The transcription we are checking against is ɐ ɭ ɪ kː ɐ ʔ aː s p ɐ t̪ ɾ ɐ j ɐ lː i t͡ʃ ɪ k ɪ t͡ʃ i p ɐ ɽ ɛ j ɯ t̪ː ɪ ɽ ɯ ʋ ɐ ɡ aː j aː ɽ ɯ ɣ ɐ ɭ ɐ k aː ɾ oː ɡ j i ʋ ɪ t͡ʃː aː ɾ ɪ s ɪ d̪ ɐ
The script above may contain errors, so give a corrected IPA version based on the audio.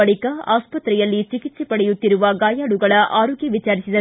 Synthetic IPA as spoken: ɐ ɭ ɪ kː ɐ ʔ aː s p ɐ t̪ ɾ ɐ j ɐ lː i t͡ʃ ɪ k ɪ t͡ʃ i p ɐ ɽ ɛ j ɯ t̪ː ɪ ɾ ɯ ʋ ɐ ɡ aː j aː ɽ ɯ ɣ ɐ ɭ ɐ ʔ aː ɾ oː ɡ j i ʋ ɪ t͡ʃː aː ɾ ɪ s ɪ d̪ ɐ